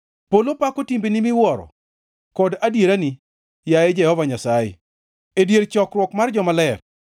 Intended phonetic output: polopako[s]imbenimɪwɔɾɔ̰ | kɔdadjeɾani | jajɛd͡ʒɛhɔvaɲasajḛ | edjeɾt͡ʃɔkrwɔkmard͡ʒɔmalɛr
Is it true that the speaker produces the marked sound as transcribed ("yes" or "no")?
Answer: no